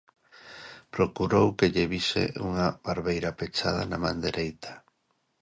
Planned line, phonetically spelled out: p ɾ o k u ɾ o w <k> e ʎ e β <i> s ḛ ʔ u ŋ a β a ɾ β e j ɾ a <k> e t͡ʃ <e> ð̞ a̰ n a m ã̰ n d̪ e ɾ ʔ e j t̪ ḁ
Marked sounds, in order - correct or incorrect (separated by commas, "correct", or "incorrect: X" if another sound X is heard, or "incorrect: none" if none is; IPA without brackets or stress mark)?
correct, correct, incorrect: p, incorrect: a